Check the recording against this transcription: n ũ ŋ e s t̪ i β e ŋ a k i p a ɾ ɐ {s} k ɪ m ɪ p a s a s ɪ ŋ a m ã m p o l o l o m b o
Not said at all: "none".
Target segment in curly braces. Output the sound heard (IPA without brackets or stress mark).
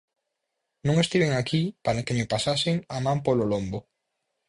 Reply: none